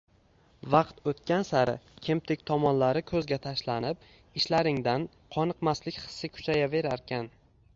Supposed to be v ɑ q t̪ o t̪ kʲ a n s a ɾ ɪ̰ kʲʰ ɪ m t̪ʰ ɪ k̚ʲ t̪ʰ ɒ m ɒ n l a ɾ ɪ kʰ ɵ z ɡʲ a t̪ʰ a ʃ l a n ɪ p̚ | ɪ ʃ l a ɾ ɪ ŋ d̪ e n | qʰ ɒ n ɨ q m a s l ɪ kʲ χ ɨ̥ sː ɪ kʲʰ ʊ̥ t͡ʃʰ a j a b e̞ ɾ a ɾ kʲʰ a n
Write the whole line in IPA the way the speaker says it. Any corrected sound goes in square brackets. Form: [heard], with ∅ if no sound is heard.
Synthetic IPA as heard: v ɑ q t̪ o t̪ kʲ a n s a ɾ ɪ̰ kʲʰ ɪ m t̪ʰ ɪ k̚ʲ t̪ʰ ɒ m ɒ n l a ɾ ɪ kʰ ɵ z ɡʲ a t̪ʰ a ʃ l a n ɪ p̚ | ɪ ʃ l a ɾ ɪ ŋ d̪ [a] n | qʰ ɒ n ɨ q m a s l ɪ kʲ χ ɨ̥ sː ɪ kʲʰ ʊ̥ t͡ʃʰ a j a [v] e̞ ɾ a ɾ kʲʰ a n